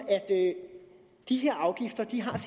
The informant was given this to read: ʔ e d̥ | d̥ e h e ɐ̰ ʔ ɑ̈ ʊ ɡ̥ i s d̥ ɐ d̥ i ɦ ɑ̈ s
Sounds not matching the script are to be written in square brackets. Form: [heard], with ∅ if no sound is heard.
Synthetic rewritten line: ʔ [æ] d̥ | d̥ [i] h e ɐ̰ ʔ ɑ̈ ʊ ɡ̥ i [f] d̥ ɐ d̥ i ɦ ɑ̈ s